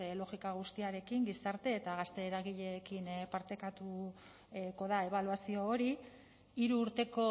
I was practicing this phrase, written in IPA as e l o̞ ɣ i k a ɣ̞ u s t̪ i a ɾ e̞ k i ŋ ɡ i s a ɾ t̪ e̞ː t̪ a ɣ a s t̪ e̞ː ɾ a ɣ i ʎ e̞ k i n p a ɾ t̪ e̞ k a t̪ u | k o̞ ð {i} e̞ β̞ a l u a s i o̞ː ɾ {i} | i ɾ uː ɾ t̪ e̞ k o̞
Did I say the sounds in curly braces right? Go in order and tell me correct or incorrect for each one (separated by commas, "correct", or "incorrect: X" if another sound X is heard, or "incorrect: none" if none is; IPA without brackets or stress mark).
incorrect: a, correct